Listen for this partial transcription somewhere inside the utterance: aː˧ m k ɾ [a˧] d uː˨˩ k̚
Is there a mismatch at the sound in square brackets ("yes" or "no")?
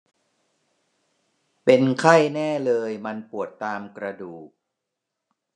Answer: no